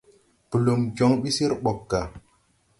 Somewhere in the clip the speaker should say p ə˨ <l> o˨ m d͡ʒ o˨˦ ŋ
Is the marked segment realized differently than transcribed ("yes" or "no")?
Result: no